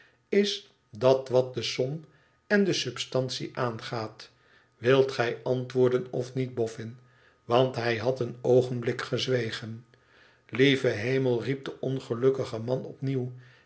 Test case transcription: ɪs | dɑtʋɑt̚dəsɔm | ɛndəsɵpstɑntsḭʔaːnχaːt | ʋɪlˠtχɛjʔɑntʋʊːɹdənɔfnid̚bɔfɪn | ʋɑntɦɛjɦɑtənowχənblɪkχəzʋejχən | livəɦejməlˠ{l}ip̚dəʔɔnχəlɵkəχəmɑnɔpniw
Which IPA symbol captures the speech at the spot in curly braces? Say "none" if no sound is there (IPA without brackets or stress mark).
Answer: r